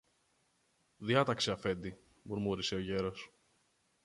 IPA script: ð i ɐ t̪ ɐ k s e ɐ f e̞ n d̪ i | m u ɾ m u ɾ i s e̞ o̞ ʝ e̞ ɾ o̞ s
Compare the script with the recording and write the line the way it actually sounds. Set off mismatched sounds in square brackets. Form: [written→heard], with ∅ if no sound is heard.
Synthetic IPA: ð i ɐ t̪ ɐ k s e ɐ f e̞ n d̪ i | m u ɾ m u ɾ i s e̞ o̞ ʝ e̞ ɾ o̞ s

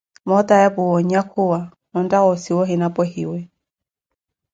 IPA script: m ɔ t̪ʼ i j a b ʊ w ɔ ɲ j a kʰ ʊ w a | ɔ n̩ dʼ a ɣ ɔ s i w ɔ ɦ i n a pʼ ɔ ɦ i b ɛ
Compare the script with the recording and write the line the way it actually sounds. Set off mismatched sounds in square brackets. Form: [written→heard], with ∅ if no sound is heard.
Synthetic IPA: m ɔ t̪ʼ [i→a] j a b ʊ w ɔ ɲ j a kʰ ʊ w a | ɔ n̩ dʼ a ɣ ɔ s i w ɔ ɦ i n a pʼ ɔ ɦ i [b→w] ɛ

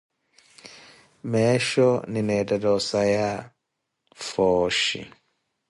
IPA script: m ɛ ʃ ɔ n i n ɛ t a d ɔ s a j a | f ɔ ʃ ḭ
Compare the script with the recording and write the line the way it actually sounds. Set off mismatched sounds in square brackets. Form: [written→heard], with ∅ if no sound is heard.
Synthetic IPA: m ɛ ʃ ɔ n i n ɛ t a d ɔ s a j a | f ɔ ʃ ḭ

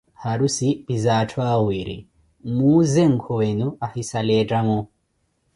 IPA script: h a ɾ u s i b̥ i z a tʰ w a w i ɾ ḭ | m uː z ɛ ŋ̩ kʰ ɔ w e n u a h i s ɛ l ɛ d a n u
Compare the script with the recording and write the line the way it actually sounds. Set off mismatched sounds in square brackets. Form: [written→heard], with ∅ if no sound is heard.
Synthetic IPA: h a ɾ u s i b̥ i z a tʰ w a w i ɾ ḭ | m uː z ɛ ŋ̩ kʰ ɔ w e n u a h i s [ɛ→a] l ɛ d a [n→m] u

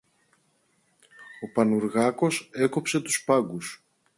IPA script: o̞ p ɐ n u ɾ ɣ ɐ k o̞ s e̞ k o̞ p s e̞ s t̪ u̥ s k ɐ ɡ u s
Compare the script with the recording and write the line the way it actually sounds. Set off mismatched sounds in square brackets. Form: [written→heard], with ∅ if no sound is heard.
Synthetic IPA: o̞ p ɐ n u ɾ ɣ ɐ k o̞ s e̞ k o̞ p s e̞ [s→∅] t̪ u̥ s [k→p] ɐ ɡ u s

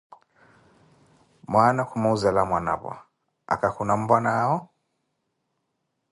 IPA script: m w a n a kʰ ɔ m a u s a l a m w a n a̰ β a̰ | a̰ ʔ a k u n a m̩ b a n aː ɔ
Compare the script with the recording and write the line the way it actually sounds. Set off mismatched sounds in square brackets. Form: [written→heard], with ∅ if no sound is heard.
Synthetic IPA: m w a n a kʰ [ɔ→u] m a u [s→z] a l a m w a n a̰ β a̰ | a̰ [ʔ→k] a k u n a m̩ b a n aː ɔ

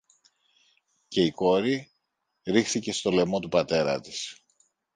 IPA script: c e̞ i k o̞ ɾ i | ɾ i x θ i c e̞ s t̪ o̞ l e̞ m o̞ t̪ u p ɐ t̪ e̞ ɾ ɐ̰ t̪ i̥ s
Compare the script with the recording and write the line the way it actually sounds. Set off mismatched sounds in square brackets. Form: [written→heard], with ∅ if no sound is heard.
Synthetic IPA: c e̞ i k o̞ ɾ i | ɾ i x θ i c e̞ s t̪ o̞ l e̞ m o̞ t̪ u p ɐ t̪ e̞ ɾ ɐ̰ t̪ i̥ s

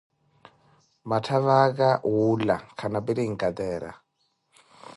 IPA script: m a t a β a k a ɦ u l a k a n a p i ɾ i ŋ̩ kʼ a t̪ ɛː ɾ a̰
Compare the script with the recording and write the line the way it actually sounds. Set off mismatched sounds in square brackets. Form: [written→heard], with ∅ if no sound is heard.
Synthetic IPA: m a [t→tʰ] a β a k a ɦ u l a [k→kʰ] a n a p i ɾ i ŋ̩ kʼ a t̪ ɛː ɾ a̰

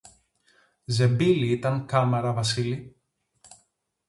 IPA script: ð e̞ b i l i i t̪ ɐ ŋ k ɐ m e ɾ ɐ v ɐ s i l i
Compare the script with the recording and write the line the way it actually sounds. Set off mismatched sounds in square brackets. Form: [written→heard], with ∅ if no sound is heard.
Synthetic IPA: [ð→z] e̞ b i l i i t̪ ɐ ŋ k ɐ m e ɾ ɐ v ɐ s i l i

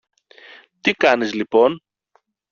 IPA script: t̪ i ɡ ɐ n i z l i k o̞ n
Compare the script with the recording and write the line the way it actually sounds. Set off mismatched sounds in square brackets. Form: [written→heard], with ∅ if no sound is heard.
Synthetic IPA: t̪ i [ɡ→k] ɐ n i z l i [k→p] o̞ n

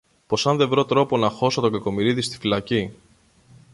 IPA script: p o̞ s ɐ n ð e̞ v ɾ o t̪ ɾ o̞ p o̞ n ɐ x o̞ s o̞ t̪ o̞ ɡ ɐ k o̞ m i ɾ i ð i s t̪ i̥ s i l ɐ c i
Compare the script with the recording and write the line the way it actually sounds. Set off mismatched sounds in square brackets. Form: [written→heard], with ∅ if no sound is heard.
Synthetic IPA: p o̞ s ɐ n ð e̞ v ɾ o t̪ ɾ o̞ p o̞ n ɐ x o̞ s o̞ t̪ o̞ ɡ ɐ k o̞ m i ɾ i ð i s t̪ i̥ [s→f] i l ɐ c i

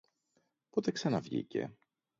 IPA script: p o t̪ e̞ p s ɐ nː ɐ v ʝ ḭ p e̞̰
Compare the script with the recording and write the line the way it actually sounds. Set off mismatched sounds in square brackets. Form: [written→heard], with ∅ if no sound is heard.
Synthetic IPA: p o t̪ e̞ [p→k] s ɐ [nː→n] ɐ v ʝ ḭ [p→c] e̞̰

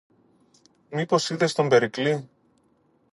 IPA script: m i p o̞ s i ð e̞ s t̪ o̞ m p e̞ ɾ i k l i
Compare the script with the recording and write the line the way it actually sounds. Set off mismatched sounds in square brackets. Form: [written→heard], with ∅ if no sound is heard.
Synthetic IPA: m i p o̞ s i ð e̞ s t̪ o̞ m [p→b] e̞ ɾ i k l i

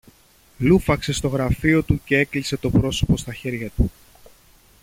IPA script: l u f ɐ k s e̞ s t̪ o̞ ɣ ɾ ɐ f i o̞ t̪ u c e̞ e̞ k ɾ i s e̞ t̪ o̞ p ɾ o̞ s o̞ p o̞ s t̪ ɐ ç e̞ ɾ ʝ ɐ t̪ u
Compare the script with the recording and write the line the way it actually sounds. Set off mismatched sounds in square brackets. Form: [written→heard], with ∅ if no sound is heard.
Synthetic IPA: l u f ɐ k s e̞ s t̪ o̞ ɣ ɾ ɐ f i o̞ t̪ u c e̞ e̞ k [ɾ→l] i s e̞ t̪ o̞ p ɾ o̞ s o̞ p o̞ s t̪ ɐ ç e̞ ɾ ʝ ɐ t̪ u

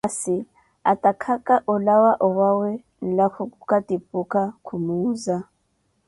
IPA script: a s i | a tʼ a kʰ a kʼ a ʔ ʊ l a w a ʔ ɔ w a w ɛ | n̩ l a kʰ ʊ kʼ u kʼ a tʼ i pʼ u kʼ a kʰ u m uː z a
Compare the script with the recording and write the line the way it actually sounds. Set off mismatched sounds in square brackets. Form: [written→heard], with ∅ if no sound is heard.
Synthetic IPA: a s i | a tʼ a kʰ a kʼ a ʔ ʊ l a w a ʔ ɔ w a w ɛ | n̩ l a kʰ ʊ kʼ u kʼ a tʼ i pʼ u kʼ a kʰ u m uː z a

